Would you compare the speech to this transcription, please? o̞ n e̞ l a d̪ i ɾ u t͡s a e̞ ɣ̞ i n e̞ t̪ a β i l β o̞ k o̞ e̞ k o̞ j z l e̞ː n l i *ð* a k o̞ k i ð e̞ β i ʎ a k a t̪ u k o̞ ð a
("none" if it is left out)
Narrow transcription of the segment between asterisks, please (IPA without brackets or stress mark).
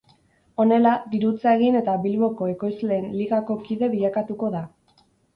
ɣ